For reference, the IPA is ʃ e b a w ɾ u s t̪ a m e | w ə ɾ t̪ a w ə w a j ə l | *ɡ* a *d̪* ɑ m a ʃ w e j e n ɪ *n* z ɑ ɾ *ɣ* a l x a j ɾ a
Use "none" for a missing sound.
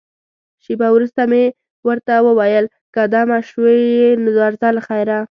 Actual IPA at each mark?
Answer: k, d̪, none, z

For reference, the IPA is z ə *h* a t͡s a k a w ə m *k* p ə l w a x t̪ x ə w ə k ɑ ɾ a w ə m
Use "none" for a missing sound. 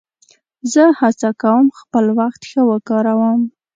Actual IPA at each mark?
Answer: h, x

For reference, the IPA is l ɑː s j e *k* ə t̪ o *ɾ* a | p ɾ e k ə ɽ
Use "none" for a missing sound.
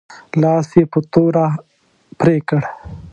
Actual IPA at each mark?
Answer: p, ɾ

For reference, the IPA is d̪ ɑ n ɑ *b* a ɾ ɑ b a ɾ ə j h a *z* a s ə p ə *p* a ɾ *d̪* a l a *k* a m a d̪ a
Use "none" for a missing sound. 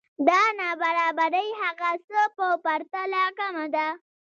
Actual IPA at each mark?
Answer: b, ɣ, p, t̪, k

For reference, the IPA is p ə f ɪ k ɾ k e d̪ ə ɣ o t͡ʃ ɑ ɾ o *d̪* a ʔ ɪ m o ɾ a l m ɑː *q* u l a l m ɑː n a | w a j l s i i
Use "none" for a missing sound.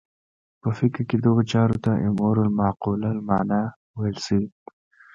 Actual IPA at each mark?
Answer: t̪, q

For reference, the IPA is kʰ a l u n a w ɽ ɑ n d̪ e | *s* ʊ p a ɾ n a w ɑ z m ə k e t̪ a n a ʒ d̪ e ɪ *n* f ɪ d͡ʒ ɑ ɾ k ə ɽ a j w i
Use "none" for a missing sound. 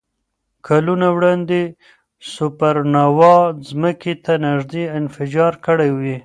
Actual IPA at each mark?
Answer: s, n

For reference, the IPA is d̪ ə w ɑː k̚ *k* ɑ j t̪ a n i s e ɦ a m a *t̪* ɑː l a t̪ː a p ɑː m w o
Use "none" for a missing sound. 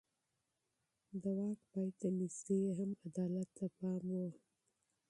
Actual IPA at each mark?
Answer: p, d̪

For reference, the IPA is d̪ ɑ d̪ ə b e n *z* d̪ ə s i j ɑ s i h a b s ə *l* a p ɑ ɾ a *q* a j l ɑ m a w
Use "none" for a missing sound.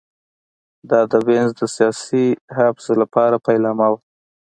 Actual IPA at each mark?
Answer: z, l, p

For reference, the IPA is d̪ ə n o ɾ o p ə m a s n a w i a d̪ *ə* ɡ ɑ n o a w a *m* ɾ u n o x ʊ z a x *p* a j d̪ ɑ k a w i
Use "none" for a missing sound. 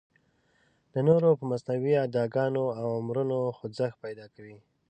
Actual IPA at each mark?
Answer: ɑ, m, p

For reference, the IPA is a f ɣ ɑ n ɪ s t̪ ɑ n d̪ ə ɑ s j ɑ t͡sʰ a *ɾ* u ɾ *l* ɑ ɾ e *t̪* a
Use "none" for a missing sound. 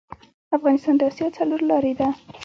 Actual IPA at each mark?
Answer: l, l, d̪

